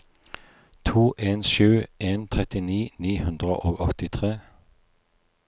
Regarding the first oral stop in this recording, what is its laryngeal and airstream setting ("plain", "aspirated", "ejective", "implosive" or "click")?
aspirated